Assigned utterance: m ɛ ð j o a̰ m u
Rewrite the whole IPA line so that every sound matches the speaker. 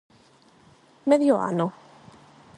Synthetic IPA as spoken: m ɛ ð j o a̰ n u